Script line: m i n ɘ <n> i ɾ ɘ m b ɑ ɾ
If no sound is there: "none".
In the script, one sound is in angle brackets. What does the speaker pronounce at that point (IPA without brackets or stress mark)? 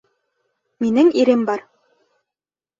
ŋ